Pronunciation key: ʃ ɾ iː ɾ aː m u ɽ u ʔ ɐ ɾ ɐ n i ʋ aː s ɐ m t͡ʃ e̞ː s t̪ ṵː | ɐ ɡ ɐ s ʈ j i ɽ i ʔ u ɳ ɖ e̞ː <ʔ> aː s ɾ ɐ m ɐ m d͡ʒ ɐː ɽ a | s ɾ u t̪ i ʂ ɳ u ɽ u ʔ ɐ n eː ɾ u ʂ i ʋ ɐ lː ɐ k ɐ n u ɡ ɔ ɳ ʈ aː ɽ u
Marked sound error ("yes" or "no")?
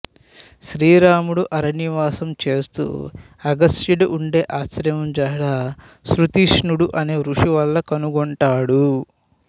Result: no